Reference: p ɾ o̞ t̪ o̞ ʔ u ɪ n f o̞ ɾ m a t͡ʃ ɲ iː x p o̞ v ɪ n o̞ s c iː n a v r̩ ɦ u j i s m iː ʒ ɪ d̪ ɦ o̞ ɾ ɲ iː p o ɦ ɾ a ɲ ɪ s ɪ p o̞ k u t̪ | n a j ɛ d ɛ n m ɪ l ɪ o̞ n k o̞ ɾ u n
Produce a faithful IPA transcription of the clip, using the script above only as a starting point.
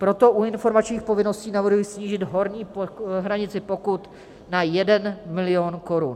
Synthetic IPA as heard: p ɾ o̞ t̪ o̞ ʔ u ɪ n f o̞ ɾ m a t͡ʃ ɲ iː x p o̞ v ɪ n o̞ s c iː n a v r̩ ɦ u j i s ɲ iː ʒ ɪ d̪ ɦ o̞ ɾ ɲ iː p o ɦ ɾ a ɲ ɪ t͡s ɪ p o̞ k u t̪ | n a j ɛ d ɛ n m ɪ l ɪ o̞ n k o̞ ɾ u n